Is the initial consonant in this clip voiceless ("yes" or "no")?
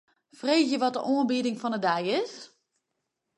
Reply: yes